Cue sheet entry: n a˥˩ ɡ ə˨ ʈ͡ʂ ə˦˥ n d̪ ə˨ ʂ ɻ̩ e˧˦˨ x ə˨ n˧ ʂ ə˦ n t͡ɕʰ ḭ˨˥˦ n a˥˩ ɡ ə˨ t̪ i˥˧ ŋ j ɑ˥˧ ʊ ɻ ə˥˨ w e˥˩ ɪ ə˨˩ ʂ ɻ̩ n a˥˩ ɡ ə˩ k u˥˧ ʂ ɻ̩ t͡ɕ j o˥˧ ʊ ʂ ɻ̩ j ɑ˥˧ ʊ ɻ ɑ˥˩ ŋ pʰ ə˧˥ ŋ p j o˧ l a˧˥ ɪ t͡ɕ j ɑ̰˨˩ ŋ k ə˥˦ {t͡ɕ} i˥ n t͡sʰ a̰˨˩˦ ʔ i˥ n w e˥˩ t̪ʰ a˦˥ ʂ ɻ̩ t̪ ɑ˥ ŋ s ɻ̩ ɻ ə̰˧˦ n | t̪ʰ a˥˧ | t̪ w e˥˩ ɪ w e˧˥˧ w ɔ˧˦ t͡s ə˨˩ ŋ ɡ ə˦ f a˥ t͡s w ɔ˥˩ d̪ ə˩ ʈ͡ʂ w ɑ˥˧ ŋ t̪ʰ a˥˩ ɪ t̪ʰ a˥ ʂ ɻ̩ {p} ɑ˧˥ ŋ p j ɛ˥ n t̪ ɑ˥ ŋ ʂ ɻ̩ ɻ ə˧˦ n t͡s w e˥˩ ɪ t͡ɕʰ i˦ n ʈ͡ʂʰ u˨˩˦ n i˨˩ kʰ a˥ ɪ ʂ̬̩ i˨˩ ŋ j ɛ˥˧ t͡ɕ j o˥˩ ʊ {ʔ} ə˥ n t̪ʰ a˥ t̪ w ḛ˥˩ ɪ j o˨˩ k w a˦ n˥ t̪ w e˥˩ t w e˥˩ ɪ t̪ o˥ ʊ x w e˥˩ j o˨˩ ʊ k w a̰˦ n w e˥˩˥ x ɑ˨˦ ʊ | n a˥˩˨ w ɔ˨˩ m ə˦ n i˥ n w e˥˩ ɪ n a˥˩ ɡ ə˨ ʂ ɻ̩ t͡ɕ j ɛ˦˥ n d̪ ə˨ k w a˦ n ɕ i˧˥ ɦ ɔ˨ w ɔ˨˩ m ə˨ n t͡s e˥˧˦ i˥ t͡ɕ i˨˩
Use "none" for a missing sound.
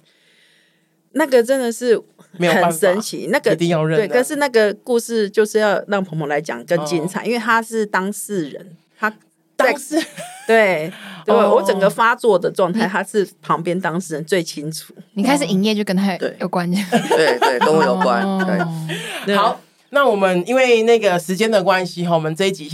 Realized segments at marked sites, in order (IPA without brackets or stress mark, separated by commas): t͡ɕ, pʰ, k